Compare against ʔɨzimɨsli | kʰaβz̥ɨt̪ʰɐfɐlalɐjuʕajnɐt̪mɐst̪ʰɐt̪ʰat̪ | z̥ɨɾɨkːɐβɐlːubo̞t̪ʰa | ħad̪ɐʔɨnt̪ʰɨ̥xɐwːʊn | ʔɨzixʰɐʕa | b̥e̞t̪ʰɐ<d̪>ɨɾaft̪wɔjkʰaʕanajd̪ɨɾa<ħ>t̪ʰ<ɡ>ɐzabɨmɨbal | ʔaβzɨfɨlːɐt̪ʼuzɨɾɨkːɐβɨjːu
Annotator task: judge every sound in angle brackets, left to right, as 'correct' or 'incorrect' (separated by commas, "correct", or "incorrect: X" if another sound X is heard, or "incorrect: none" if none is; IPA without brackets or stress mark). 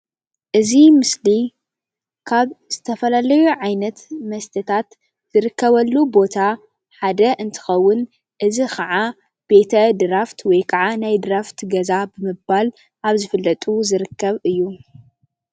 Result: correct, incorrect: f, correct